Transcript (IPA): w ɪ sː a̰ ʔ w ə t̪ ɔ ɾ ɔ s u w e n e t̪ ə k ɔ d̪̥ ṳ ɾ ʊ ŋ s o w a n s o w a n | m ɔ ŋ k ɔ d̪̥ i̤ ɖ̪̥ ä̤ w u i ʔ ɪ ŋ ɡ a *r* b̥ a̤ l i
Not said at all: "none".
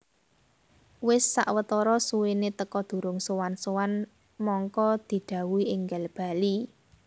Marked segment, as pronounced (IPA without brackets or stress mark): l